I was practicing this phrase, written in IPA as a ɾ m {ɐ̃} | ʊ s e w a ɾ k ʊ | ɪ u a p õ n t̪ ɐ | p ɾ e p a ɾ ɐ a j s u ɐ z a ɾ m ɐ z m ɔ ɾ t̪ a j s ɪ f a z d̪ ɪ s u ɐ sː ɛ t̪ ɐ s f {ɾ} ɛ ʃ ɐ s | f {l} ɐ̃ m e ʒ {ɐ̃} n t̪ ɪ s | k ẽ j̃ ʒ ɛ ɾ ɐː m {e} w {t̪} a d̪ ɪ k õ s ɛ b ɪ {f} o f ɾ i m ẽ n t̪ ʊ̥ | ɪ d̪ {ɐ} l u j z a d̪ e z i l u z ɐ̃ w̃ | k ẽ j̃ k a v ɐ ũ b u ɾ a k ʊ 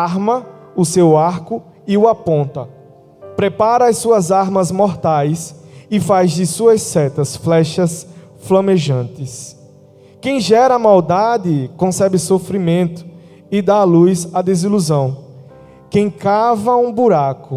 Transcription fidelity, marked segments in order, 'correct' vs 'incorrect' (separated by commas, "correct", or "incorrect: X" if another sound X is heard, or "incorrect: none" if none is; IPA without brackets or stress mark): incorrect: ɐ, incorrect: l, correct, correct, incorrect: a, incorrect: d̪, incorrect: s, incorrect: a